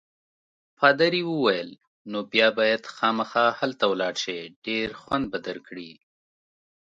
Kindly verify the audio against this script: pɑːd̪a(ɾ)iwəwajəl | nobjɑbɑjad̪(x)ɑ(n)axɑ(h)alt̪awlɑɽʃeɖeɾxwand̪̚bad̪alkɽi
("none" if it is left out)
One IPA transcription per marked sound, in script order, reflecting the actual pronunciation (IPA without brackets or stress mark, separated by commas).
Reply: ɾ, x, m, h